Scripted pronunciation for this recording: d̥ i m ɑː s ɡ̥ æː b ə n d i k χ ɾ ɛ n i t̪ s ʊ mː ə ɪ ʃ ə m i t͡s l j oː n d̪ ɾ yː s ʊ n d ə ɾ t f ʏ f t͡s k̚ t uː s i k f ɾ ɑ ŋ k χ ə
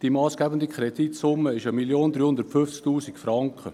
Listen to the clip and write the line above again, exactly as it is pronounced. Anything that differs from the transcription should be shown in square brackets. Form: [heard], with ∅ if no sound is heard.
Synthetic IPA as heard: d̥ i m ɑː s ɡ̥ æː b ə n d i k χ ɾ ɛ [d] i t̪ s ʊ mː ə ɪ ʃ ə m i [∅] l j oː n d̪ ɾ yː [h] ʊ n d ə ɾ t f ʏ f t͡s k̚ t uː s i k f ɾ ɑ ŋ k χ ə

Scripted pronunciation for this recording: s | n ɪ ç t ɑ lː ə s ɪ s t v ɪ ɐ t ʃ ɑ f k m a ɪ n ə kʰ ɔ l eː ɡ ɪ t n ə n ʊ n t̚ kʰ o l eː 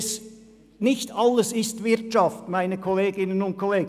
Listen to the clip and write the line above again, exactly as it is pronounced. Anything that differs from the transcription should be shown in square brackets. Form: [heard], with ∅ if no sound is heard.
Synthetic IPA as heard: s | n ɪ ç t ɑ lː ə s ɪ s t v ɪ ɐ t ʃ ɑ f [t] m a ɪ n ə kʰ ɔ l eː ɡ ɪ [∅] n ə n ʊ n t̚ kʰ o l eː

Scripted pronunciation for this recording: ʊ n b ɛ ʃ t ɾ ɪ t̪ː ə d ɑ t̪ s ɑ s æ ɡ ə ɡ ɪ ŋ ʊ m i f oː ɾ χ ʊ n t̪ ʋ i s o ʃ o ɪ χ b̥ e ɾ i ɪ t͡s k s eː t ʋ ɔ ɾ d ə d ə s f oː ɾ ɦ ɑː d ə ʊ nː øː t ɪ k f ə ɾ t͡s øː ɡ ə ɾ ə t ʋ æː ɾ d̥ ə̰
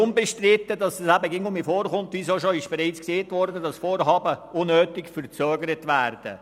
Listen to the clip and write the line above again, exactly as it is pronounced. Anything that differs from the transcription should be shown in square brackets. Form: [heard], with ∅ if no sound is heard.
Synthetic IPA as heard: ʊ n b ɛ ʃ t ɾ ɪ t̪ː ə d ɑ [∅] s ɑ s æ [b] ə ɡ ɪ ŋ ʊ m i f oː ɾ χ ʊ n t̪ ʋ i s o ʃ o ɪ [ʃ] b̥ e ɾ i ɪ t͡s k s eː t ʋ ɔ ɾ d ə d [ɑ] s f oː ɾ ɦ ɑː [b] ə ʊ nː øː t ɪ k f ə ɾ t͡s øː ɡ ə ɾ ə t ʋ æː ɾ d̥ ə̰

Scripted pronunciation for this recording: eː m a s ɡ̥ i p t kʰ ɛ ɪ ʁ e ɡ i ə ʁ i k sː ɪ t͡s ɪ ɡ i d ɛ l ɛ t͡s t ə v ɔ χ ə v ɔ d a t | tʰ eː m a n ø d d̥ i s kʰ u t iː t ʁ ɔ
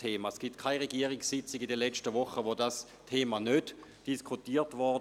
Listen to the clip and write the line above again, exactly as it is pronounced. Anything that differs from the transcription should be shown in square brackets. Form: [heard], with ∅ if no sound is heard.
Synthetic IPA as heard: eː m a s ɡ̥ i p t kʰ [a] ɪ ʁ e ɡ i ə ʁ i k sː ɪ t͡s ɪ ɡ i d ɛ l ɛ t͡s t ə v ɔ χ ə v [o] d a [s] | tʰ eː m a n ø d d̥ i s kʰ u t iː t [v] ɔ

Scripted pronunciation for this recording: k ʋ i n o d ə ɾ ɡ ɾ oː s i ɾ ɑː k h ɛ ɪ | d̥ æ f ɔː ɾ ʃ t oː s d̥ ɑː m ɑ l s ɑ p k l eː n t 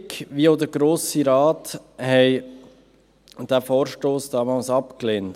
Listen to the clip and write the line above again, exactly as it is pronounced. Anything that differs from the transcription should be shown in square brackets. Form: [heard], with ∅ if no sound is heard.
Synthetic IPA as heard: k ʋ i [∅] o d ə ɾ ɡ ɾ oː s i ɾ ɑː [t] h ɛ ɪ | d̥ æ f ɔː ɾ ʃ t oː s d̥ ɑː m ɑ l s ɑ p k l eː n t

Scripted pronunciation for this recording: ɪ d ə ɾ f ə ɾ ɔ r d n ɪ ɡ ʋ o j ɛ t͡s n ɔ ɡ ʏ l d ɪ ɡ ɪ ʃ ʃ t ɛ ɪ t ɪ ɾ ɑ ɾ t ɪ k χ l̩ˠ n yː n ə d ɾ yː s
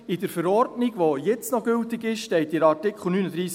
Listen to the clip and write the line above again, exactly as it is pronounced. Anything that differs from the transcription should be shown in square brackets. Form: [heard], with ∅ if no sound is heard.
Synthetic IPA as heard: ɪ d ə ɾ f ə ɾ ɔ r d n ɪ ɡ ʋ o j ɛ t͡s n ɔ ɡ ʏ l [t] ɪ ɡ ɪ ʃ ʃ t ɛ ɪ t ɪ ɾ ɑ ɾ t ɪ k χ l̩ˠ n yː n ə d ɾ [iː] s

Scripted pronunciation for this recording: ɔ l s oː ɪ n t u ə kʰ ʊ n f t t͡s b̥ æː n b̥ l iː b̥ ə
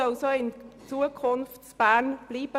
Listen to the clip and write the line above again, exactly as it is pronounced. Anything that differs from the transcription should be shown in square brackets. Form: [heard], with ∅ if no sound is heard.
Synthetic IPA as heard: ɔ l s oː ɪ n [t͡s] u ə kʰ ʊ n f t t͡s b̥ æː n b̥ l iː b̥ ə

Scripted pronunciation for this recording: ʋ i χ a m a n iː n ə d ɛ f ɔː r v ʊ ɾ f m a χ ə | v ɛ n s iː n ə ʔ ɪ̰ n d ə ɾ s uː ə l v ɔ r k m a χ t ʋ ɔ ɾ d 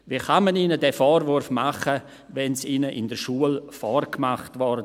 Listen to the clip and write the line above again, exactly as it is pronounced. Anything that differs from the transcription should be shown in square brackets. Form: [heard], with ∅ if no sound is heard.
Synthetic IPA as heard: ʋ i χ a m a n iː n ə d ɛ f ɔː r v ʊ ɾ f m a χ ə | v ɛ n s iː n ə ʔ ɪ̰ n d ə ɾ [ʃ] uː ə l [f] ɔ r k m a χ t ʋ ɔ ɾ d

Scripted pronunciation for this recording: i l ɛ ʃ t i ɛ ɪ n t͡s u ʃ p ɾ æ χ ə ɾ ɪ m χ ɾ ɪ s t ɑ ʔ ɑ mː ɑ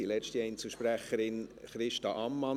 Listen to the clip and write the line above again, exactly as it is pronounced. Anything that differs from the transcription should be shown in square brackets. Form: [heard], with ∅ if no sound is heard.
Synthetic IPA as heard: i l ɛ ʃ t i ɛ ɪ n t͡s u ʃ p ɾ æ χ ə ɾ ɪ [n] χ ɾ ɪ [ʃ] t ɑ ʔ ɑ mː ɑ

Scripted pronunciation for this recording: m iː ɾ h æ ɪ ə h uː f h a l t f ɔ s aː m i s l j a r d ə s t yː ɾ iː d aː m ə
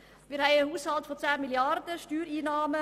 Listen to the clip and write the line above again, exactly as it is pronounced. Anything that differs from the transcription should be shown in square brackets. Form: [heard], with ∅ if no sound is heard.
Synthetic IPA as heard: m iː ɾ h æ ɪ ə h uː [s] h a l t f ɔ [t͡s] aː m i [∅] l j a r d ə [ʃ] t yː ɾ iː [n] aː m ə

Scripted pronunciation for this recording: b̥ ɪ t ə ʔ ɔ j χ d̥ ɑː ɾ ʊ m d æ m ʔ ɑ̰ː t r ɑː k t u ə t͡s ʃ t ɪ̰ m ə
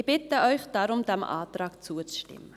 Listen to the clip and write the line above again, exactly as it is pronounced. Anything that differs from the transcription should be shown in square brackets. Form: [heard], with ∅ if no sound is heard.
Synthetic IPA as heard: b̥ ɪ t ə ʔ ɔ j χ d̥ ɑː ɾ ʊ m d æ m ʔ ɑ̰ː t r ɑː k [t͡s] u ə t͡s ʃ t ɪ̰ m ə

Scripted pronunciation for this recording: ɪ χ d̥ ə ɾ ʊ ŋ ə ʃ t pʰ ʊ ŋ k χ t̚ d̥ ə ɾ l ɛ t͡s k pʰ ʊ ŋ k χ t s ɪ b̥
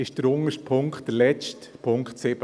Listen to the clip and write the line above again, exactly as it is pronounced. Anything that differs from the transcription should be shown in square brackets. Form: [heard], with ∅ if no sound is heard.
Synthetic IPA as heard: ɪ [ʃ] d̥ ə ɾ ʊ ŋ ə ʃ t pʰ ʊ ŋ k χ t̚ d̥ ə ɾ l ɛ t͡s [t] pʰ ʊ ŋ k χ t s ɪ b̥

